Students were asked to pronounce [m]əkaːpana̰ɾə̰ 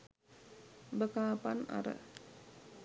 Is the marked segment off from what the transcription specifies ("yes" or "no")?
yes